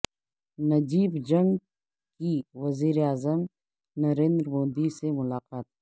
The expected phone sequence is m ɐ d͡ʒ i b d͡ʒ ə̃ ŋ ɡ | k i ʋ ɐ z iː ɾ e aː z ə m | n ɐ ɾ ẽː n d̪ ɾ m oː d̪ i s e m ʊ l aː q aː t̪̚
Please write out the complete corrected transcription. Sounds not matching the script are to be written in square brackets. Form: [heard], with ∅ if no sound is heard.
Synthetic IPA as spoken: [n] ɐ d͡ʒ [iː] b d͡ʒ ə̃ ŋ ɡ | k i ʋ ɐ z iː ɾ e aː z ə m | n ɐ ɾ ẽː n d̪ ɾ m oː d̪ i s e m ʊ l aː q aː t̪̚